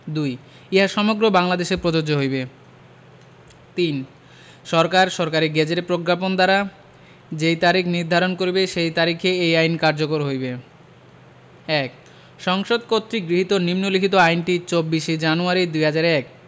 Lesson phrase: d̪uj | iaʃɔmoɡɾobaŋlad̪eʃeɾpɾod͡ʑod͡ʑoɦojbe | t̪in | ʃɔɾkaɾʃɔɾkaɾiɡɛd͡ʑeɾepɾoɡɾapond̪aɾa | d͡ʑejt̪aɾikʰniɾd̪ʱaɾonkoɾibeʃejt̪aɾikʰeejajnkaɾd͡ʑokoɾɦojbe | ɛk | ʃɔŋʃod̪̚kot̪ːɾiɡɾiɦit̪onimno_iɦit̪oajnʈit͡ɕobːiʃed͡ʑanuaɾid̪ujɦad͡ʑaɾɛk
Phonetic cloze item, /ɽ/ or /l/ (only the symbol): l